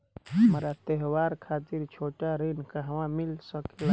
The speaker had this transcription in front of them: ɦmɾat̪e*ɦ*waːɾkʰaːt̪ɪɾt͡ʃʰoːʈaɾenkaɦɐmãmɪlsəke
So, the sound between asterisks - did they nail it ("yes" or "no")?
yes